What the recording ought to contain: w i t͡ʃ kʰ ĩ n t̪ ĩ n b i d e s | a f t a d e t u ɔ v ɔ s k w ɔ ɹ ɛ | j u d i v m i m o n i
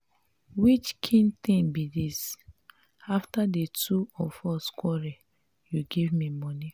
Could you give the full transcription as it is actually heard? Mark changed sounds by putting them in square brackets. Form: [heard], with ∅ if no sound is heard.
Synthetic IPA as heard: w i t͡ʃ kʰ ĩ n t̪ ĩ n b i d [i] s | a f t a d e t u ɔ [f] ɔ s k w ɔ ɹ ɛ | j u [ɡ] i v m i m [ɔ] n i